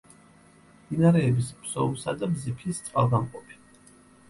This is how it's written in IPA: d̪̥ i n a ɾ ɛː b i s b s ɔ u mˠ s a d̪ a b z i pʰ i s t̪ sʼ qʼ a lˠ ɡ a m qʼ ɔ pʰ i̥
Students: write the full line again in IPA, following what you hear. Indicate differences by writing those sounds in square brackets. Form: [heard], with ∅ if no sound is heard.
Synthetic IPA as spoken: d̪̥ i n a ɾ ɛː b i s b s ɔ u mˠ s a d̪ a b z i pʰ i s t̪ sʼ qʼ a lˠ ɡ a m qʼ ɔ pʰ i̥